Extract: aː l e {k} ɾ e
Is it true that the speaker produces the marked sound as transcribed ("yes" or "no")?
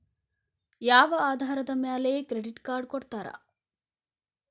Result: yes